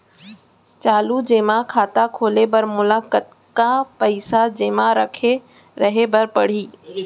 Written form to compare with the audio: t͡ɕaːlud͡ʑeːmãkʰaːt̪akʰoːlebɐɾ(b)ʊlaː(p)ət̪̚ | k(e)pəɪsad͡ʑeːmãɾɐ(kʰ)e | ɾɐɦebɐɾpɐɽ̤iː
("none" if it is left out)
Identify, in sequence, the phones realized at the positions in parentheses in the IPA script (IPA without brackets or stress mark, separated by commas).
m, k, a, kʰ